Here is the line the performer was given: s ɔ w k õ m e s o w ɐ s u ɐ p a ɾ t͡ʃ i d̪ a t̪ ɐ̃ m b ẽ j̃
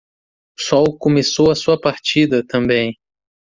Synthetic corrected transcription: s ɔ w k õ m e s o w ɐ s u ɐ p a ɾ t͡ʃ i d̪ ɐ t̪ ɐ̃ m b ẽ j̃